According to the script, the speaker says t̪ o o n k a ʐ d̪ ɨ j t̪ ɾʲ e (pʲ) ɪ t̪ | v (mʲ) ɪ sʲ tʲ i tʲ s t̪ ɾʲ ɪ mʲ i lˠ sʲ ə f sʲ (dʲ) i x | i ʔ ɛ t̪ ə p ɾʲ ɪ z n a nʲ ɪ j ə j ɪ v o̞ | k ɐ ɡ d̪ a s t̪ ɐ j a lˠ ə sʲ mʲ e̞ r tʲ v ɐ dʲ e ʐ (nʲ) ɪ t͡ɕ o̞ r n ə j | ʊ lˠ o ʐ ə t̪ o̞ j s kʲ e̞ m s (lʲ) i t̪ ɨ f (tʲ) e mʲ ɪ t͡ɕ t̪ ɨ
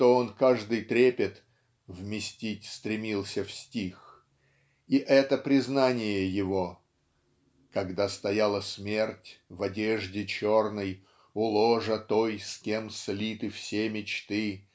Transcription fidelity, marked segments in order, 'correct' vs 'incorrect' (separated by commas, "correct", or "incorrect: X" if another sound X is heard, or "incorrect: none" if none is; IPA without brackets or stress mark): correct, correct, incorrect: tʲ, incorrect: dʲ, correct, incorrect: sʲ